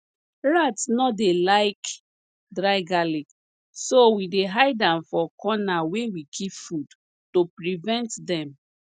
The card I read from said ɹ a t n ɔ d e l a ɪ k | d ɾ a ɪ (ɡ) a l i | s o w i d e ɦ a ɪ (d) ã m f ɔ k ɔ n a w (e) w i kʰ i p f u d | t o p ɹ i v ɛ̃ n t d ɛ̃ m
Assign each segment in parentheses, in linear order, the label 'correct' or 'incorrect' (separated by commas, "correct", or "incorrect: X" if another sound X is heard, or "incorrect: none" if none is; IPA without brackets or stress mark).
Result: correct, correct, correct